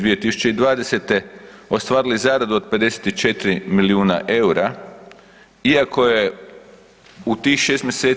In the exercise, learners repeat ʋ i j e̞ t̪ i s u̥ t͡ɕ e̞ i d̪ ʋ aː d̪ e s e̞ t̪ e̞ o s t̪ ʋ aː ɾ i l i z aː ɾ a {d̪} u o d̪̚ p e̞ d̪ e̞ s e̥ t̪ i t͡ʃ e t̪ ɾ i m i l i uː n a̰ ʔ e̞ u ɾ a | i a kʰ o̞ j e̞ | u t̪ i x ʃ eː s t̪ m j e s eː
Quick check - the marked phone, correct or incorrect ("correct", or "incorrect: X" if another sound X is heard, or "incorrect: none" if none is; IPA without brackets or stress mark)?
correct